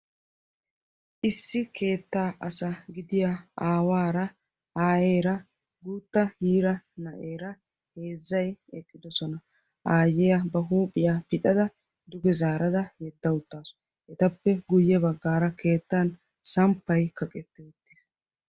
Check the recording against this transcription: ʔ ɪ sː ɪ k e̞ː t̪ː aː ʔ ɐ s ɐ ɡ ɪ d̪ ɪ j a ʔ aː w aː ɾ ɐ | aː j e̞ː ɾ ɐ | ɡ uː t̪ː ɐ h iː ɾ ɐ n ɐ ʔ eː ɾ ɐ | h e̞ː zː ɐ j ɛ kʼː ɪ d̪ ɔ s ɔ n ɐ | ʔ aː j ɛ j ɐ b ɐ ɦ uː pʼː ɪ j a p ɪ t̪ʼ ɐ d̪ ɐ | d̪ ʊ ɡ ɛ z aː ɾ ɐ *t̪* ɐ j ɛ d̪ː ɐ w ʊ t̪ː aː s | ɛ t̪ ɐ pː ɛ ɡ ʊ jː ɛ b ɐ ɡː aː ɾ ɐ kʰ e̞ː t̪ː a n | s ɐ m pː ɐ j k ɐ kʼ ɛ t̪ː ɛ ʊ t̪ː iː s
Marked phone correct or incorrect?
incorrect